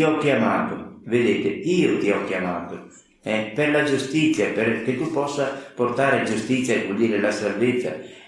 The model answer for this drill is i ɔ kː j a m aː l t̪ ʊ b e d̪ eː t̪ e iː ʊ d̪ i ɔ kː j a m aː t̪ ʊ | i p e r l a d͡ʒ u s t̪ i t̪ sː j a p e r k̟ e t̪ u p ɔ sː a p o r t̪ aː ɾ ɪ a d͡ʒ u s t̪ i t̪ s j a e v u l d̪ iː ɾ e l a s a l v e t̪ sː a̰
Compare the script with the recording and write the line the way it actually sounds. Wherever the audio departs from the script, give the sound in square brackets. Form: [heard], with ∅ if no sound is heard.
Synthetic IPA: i ɔ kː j a m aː [∅] t̪ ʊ [v] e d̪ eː t̪ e iː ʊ [t̪] i ɔ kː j a m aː t̪ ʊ | [ɛ] p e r l a d͡ʒ u s t̪ i t̪ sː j a p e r k̟ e t̪ u p ɔ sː a p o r t̪ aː ɾ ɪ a d͡ʒ u s t̪ i t̪ s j a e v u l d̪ iː ɾ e l a s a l v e t̪ sː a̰